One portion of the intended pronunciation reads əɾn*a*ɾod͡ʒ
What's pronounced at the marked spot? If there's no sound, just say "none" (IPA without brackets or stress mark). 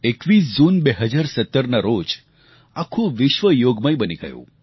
a